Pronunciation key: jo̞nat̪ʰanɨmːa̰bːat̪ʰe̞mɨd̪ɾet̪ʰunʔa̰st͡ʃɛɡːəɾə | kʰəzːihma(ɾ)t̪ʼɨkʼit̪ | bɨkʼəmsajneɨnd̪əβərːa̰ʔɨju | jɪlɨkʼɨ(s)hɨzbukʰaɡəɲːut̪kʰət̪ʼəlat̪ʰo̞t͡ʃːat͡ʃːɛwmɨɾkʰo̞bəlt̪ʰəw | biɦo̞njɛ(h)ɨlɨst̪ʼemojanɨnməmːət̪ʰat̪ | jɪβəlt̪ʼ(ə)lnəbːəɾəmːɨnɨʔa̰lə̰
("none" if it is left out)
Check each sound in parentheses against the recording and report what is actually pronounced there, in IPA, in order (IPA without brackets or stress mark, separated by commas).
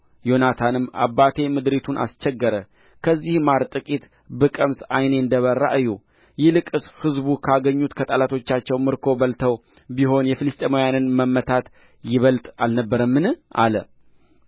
ɾ, s, f, a